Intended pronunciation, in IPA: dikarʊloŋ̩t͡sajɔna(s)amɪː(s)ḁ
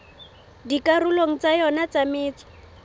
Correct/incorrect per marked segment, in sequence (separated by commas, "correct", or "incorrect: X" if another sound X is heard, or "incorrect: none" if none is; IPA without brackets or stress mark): incorrect: t͡s, incorrect: t͡s